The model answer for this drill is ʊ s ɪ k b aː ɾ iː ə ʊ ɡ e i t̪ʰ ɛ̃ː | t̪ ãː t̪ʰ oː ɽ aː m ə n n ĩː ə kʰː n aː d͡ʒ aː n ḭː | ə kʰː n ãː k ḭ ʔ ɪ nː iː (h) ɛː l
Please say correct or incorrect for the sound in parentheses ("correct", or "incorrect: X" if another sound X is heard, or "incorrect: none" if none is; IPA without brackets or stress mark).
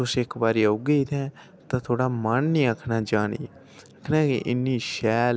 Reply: incorrect: ʃ